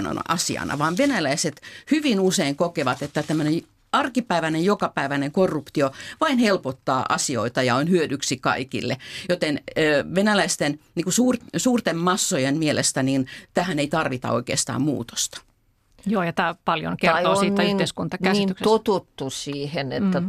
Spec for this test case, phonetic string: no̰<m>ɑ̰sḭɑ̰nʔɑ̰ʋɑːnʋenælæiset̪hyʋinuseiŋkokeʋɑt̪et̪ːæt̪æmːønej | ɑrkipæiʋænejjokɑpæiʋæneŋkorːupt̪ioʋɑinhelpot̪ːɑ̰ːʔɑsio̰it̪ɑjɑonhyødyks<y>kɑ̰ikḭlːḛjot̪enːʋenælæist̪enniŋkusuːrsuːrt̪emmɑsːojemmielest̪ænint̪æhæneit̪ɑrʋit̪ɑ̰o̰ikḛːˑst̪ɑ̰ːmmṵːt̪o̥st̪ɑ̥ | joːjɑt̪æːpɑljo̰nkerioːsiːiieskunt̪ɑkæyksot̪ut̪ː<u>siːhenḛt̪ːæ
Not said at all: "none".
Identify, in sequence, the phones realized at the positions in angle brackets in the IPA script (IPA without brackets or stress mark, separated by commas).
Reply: n, i, u